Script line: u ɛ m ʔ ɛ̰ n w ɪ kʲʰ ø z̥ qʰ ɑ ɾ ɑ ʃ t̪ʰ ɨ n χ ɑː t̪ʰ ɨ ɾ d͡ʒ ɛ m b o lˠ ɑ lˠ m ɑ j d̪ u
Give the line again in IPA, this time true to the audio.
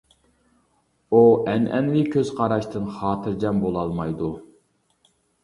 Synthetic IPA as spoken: u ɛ n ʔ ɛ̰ n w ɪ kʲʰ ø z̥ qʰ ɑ ɾ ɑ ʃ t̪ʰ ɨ n χ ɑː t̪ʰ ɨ ɾ d͡ʒ ɛ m b o lˠ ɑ lˠ m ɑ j d̪ u

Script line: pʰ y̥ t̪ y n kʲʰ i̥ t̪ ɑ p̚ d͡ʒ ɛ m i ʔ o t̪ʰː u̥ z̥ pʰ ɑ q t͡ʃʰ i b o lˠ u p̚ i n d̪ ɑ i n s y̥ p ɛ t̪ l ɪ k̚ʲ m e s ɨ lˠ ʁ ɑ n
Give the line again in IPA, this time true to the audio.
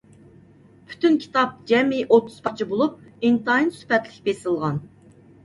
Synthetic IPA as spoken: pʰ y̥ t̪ y n kʲʰ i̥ t̪ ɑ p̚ d͡ʒ ɛ m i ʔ o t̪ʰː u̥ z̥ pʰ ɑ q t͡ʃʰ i b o lˠ u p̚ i n t̪ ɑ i n s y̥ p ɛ t̪ l ɪ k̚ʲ b e s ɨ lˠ ʁ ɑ n

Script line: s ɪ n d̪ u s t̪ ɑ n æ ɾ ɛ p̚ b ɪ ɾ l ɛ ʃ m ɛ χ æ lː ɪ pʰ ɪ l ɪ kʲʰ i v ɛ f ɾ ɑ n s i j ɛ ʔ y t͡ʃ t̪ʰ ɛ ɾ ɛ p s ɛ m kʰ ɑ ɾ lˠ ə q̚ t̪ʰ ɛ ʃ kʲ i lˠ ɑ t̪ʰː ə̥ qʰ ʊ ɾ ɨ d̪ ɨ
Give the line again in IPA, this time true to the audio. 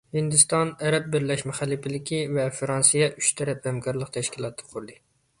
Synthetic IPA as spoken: h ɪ n d̪ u s t̪ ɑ n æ ɾ ɛ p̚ b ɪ ɾ l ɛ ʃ m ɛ χ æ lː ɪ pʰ ɪ l ɪ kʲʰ i v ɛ f ɾ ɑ n s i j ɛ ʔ y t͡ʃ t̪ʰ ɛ ɾ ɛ p h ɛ m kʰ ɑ ɾ lˠ ə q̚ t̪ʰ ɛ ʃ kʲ i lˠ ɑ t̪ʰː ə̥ qʰ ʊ ɾ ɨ d̪ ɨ

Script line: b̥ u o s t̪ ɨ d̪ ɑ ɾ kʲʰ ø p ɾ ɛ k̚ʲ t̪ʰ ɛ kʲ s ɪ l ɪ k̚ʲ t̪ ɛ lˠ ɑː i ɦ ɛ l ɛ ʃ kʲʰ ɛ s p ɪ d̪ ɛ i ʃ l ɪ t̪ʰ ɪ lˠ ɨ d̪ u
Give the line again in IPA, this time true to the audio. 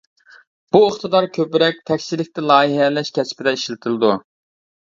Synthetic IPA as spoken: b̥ u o χ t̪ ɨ d̪ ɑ ɾ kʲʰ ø p ɾ ɛ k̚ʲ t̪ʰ ɛ kʲ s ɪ l ɪ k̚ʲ t̪ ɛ lˠ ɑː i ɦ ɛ l ɛ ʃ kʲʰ ɛ s p ɪ d̪ ɛ i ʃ l ɪ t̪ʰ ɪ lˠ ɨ d̪ u

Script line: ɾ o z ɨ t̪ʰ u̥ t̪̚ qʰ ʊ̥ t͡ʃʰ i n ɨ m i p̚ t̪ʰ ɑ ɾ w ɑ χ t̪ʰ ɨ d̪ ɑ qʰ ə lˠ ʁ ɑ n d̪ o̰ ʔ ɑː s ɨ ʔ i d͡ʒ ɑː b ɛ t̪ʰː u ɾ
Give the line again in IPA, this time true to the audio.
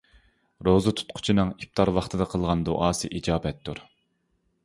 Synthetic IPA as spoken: ɾ o z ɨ t̪ʰ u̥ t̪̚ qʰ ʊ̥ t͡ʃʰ i n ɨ ŋ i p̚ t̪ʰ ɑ ɾ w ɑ χ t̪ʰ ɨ d̪ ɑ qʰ ə lˠ ʁ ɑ n d̪ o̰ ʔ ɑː s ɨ ʔ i d͡ʒ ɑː b ɛ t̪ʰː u ɾ

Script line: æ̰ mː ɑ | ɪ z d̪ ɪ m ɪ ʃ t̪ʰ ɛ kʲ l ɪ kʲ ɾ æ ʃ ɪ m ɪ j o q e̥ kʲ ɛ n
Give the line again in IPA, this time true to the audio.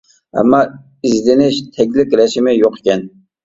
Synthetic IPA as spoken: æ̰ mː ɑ | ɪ z d̪ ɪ n ɪ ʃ t̪ʰ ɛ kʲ l ɪ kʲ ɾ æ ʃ ɪ m ɪ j o q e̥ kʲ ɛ n

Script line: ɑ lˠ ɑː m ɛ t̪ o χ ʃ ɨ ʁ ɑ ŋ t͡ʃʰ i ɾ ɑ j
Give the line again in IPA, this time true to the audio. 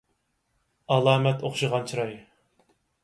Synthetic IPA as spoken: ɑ lˠ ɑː m ɛ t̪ o χ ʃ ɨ ʁ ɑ n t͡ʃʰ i ɾ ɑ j

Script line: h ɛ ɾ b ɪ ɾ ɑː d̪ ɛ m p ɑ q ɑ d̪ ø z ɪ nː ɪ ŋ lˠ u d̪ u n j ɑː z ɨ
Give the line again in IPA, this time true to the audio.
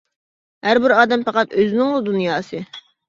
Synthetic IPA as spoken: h æ ɾ b ɪ ɾ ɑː d̪ ɛ m p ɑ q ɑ t̪ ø z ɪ n ɪ ŋ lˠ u d̪ u n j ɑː s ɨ

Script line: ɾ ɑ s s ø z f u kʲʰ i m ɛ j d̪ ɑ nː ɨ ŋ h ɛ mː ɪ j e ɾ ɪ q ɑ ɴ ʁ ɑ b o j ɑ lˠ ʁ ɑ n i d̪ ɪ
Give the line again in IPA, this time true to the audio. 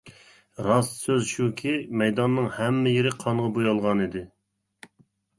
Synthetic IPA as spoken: ɾ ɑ s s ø z ʃ u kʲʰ i m ɛ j d̪ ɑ nː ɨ ŋ h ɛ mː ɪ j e ɾ ɪ qʰ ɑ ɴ ʁ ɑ b o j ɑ lˠ ʁ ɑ n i d̪ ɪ

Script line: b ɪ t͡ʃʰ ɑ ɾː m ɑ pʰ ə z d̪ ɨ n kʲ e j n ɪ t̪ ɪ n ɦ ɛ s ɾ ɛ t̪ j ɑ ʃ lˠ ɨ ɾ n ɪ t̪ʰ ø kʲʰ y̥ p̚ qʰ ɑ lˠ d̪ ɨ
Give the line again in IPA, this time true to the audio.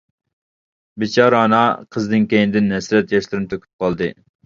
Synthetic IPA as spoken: b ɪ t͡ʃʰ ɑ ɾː n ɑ qʰ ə z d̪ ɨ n kʲ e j n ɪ d̪ ɪ n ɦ ɛ s ɾ ɛ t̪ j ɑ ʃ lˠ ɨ ɾ n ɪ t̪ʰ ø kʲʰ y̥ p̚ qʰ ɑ lˠ d̪ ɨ

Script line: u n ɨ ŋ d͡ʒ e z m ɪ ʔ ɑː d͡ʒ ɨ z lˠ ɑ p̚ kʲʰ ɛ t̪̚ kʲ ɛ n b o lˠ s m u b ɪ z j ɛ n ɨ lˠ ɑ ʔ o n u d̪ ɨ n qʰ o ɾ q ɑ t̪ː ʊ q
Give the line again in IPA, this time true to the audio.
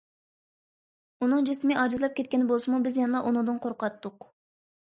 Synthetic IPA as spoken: u n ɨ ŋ d͡ʒ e s m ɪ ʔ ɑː d͡ʒ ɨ z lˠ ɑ p̚ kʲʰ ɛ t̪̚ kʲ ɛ n b o lˠ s m u b ɪ z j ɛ n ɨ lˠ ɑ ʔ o n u d̪ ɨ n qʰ o ɾ q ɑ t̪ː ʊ q

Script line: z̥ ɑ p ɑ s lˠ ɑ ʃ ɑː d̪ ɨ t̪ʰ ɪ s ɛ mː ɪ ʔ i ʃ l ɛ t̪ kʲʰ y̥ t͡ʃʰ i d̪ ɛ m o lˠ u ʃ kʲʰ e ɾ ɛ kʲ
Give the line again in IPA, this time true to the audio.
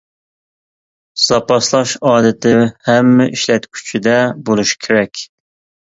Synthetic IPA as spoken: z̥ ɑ p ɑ s lˠ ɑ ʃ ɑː d̪ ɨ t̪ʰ ɪ h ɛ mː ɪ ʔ i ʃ l ɛ t̪ kʲʰ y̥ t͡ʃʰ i d̪ ɛ b o lˠ u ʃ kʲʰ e ɾ ɛ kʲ

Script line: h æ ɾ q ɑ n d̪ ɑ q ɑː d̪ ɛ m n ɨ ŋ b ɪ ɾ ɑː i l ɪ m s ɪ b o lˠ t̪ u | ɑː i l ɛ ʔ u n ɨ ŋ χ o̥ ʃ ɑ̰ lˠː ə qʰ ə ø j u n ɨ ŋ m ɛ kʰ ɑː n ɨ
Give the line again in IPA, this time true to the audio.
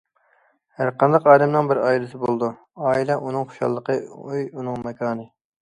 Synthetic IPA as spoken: h æ ɾ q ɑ n d̪ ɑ q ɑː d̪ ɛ m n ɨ ŋ b ɪ ɾ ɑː i l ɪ s ɪ b o lˠ d̪ u | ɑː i l ɛ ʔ u n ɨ ŋ χ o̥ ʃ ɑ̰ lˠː ə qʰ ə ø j u n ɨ ŋ m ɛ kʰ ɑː n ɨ

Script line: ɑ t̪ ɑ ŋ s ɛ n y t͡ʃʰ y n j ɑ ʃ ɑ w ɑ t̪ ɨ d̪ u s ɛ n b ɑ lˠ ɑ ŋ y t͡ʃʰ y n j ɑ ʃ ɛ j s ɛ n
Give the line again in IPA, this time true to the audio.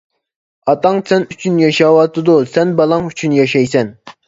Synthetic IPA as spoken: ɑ t̪ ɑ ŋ s ɛ n y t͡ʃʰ y n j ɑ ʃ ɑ w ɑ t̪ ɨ d̪ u s ɛ n b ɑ lˠ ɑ ŋ y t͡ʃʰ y n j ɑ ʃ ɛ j s ɛ n

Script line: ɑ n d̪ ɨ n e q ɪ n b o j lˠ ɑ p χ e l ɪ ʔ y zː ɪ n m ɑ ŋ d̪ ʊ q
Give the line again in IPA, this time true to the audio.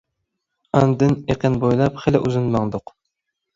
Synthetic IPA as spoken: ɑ n d̪ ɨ n e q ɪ n b o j lˠ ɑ p χ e l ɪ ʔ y z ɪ n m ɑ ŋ d̪ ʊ q

